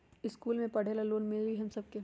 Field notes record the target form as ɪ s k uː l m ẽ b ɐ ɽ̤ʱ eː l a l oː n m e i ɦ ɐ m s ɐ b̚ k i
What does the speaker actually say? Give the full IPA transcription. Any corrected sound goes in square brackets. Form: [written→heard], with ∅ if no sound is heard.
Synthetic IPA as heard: ɪ s k uː l m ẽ [b→p] ɐ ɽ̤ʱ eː l a l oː n m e i ɦ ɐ m s ɐ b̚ k [i→e]